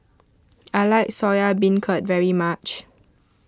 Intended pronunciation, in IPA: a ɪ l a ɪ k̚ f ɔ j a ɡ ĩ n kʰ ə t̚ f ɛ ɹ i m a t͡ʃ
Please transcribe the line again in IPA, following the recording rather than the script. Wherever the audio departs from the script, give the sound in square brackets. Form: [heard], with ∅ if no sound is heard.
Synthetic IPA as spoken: a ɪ l a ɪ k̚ [s] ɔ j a [b] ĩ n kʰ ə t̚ [v] ɛ ɹ i m a t͡ʃ